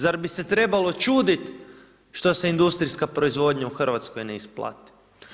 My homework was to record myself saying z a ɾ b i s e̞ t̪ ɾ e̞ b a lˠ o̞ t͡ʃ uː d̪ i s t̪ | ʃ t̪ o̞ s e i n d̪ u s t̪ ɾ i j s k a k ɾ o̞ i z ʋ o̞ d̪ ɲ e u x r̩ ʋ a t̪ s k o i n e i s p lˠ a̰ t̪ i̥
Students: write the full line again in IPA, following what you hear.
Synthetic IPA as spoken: z a ɾ b i s e̞ t̪ ɾ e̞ b a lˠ o̞ t͡ʃ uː d̪ i t̪ | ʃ t̪ o̞ s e i n d̪ u s t̪ ɾ i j s k a p ɾ o̞ i z ʋ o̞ d̪ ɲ a u x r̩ ʋ a t̪ s k o j n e i s p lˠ a̰ t̪ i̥